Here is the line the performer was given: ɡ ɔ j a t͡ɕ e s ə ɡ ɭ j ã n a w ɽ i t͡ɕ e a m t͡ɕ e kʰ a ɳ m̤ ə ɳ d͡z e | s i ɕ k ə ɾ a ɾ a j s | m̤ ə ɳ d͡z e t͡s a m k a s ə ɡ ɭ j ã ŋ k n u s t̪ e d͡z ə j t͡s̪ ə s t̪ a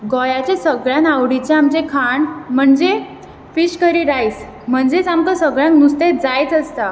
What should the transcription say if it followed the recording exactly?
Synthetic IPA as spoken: ɡ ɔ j a t͡ɕ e s ə ɡ ɭ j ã n a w ɽ i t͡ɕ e a m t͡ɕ e kʰ a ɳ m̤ ə ɳ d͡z e | f i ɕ k ə ɾ i ɾ a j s | m̤ ə ɳ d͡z e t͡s a m k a s ə ɡ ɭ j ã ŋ k n u s t̪ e d͡z a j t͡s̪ ə s t̪ a